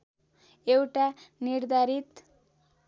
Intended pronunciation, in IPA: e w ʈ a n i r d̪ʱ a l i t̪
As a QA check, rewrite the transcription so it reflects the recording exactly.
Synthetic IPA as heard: e w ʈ a n i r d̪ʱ a ɾ i t̪